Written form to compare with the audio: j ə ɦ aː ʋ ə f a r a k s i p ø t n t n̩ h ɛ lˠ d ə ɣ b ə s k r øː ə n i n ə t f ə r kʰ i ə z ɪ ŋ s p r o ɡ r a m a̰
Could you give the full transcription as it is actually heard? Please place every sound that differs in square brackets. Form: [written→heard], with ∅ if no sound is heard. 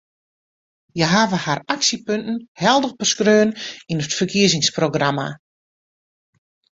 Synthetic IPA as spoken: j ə ɦ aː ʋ ə [f→h] a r a k s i p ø [t→∅] n t n̩ h ɛ lˠ d ə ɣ b ə s k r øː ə n i n ə t f ə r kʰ i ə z ɪ ŋ s p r o ɡ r a m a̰